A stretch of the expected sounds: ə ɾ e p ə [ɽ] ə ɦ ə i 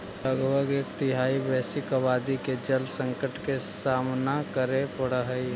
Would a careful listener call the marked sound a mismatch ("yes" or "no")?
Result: no